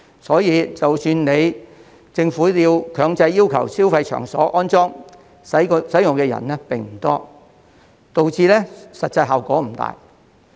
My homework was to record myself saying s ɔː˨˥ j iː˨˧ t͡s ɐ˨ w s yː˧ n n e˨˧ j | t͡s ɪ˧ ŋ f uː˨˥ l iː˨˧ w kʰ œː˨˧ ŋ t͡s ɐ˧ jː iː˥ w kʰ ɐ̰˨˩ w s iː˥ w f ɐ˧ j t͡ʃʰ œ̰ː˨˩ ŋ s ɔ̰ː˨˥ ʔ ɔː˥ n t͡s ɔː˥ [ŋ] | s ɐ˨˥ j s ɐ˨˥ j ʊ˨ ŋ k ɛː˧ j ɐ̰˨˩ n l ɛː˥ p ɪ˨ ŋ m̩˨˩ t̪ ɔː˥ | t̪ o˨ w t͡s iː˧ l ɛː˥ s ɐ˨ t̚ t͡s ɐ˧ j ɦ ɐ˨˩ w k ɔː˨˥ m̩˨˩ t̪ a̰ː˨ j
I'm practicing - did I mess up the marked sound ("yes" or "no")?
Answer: no